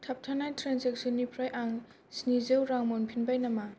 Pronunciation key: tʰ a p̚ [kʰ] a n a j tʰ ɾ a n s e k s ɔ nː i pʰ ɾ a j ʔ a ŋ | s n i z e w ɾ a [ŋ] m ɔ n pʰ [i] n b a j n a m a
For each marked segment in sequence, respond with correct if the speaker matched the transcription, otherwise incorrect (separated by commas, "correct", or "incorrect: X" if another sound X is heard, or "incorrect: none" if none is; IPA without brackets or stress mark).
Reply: incorrect: tʰ, correct, correct